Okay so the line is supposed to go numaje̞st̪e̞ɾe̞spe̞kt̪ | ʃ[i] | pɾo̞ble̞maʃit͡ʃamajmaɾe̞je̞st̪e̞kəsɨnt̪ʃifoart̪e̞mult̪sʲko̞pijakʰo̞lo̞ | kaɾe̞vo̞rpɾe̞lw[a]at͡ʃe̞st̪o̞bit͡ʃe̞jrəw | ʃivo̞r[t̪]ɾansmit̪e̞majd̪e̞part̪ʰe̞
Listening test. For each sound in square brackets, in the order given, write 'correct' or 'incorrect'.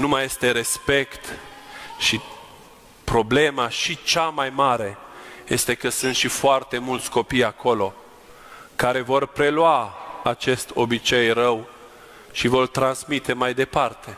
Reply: correct, correct, correct

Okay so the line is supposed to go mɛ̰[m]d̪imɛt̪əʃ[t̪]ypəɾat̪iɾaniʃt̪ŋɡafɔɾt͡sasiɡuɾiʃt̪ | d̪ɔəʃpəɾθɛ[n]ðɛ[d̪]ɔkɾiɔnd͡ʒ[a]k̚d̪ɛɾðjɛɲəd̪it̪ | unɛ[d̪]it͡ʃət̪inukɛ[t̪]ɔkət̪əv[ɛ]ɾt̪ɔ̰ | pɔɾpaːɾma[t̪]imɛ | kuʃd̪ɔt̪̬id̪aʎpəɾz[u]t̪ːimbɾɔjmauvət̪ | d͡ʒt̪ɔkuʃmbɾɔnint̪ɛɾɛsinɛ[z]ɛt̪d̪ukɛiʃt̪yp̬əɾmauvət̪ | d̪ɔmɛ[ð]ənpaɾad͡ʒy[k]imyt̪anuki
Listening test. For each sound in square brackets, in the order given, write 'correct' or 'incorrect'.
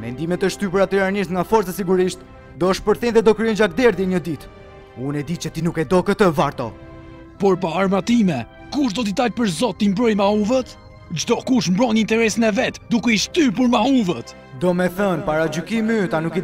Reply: incorrect, correct, correct, correct, correct, correct, incorrect, incorrect, correct, incorrect, incorrect, incorrect, correct

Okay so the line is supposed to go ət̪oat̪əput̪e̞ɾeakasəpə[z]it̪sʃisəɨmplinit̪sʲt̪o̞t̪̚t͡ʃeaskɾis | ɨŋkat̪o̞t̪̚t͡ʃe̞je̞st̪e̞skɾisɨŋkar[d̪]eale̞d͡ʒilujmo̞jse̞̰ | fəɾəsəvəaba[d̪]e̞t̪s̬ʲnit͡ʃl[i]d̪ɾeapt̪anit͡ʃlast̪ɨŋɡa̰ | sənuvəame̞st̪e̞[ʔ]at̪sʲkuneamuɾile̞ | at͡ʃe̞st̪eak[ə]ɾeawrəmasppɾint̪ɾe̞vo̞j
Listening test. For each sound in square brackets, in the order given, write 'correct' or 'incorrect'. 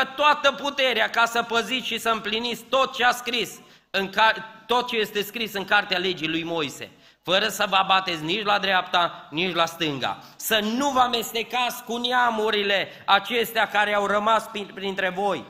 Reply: correct, incorrect, incorrect, incorrect, incorrect, incorrect

